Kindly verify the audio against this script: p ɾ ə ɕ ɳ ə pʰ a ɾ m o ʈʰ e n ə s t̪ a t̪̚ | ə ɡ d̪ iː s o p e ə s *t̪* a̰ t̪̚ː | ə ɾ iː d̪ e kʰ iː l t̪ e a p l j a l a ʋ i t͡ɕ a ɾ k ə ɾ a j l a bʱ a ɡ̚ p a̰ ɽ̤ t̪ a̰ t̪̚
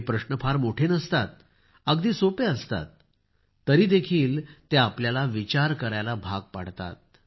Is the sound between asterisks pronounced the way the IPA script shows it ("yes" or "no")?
yes